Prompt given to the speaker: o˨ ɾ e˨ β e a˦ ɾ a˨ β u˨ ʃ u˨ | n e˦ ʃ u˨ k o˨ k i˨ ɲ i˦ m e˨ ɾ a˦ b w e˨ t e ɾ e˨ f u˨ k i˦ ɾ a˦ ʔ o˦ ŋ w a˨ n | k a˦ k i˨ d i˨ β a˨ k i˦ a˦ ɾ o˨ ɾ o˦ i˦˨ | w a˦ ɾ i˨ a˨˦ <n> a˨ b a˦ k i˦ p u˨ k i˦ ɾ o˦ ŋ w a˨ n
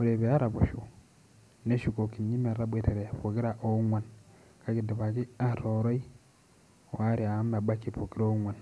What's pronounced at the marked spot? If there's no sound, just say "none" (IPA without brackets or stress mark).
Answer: m